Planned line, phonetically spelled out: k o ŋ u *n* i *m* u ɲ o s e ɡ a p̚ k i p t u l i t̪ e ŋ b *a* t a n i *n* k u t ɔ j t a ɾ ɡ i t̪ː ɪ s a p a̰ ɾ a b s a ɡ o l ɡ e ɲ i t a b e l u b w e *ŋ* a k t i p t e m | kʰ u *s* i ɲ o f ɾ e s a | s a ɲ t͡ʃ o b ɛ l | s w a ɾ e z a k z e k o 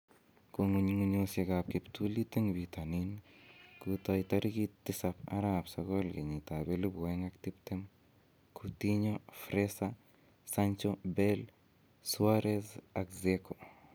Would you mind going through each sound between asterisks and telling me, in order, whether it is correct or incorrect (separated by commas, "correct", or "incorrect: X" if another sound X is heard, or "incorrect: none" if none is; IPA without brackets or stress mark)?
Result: incorrect: ɲ, incorrect: ŋ, incorrect: i, correct, correct, incorrect: t